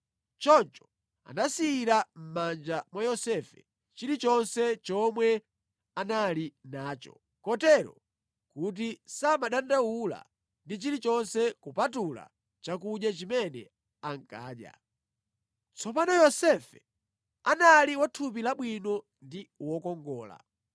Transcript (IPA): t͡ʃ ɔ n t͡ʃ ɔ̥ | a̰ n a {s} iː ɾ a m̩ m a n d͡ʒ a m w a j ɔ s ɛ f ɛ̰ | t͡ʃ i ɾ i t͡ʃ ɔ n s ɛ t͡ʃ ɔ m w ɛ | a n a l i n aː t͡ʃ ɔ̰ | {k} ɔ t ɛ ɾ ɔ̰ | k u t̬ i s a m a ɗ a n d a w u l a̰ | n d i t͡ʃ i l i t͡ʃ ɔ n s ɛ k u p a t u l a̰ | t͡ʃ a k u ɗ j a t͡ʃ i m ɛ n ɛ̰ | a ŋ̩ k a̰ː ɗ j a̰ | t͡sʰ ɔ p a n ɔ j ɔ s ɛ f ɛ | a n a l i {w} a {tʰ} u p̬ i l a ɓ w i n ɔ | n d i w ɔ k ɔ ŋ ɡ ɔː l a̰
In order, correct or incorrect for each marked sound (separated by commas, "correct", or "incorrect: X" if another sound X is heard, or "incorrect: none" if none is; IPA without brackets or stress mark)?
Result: correct, correct, correct, correct